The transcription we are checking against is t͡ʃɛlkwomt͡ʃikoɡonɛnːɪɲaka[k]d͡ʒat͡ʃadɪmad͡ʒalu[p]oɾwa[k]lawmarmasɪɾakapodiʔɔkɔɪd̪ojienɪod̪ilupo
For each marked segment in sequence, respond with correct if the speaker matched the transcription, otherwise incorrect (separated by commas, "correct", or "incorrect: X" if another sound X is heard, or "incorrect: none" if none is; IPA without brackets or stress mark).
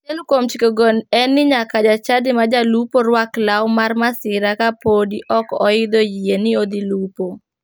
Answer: incorrect: none, correct, correct